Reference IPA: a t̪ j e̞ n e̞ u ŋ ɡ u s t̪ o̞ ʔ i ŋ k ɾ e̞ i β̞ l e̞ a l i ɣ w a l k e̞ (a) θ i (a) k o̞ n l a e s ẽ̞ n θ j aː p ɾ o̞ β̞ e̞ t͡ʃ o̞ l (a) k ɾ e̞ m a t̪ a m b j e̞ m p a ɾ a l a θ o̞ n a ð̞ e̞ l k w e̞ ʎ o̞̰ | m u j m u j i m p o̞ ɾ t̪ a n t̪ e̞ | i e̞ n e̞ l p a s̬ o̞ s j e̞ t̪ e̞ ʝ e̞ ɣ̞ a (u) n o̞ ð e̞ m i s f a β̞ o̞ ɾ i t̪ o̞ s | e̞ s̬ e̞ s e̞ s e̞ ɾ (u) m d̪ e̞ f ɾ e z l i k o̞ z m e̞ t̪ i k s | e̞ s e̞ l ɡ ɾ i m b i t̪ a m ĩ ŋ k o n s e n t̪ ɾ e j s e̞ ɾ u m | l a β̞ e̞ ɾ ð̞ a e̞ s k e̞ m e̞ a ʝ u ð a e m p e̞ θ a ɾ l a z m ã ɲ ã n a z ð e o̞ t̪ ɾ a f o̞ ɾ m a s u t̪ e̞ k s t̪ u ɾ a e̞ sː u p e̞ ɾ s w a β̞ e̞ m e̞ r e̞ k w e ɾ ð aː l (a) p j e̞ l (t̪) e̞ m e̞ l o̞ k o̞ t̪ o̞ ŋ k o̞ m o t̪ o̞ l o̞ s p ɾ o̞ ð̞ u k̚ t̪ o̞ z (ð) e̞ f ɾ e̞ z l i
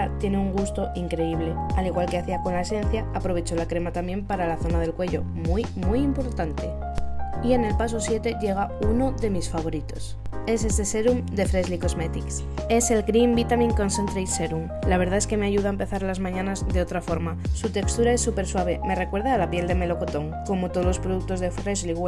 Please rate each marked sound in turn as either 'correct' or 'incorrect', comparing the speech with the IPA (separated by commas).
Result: correct, correct, correct, correct, correct, correct, incorrect, correct